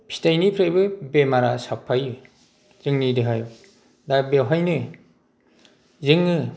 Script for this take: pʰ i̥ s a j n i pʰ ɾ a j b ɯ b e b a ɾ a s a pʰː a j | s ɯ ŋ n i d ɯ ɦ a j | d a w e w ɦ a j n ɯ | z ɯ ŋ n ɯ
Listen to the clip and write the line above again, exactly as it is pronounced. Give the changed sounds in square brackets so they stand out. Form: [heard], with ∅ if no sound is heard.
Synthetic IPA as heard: pʰ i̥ [t] a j n i pʰ ɾ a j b ɯ b e [m] a ɾ a s a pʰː a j | [z] ɯ ŋ n i d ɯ ɦ a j | d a [b] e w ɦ a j n ɯ | z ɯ ŋ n ɯ